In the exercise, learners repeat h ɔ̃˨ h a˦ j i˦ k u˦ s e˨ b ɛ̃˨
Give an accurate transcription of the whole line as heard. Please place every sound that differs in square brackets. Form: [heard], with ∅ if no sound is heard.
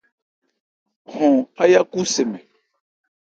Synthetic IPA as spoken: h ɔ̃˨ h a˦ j [a˦] k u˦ s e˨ [m] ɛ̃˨